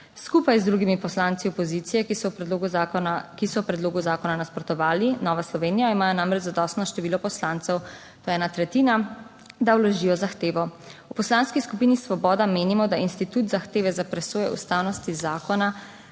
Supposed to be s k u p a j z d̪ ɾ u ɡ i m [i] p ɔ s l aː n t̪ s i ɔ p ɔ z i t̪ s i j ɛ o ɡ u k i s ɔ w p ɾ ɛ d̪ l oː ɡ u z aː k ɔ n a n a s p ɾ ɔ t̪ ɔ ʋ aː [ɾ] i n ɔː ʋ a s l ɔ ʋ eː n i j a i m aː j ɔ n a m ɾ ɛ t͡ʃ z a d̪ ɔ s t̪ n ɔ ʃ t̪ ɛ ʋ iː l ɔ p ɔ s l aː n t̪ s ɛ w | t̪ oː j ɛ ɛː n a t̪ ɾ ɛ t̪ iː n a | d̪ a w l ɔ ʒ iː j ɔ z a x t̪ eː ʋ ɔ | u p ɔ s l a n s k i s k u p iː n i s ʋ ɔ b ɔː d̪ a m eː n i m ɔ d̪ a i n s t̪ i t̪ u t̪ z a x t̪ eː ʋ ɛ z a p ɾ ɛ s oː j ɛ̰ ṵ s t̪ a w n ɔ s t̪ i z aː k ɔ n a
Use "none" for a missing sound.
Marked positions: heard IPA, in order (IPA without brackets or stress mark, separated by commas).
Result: i, l